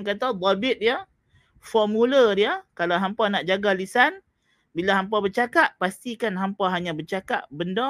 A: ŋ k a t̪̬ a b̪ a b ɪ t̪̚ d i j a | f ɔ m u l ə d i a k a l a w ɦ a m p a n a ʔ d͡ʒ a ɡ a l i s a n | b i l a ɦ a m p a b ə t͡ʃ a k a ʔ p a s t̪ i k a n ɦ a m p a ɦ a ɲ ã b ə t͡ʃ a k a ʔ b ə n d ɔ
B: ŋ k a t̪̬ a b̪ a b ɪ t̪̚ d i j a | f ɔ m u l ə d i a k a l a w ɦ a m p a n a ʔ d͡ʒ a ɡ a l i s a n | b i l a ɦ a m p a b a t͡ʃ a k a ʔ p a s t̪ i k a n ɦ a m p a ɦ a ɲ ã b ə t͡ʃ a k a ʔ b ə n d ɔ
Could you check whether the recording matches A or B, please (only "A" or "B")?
A